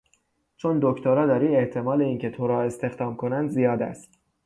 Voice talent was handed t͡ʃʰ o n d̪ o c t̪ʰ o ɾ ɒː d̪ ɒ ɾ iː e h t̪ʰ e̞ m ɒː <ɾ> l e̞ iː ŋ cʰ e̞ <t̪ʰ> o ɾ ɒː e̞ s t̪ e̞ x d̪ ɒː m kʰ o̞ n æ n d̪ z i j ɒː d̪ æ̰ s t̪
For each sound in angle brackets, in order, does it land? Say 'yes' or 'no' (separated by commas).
no, yes